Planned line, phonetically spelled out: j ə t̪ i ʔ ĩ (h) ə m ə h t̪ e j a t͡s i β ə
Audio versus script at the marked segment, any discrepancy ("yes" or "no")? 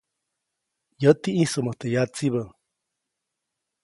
yes